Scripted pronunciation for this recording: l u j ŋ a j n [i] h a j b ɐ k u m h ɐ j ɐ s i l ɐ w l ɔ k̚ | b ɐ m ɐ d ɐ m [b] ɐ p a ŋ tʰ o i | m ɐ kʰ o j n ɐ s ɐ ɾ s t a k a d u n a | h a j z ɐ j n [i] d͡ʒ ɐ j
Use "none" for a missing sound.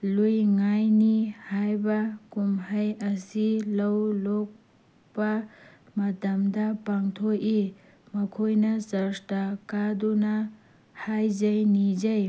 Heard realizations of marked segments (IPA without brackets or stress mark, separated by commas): i, d, i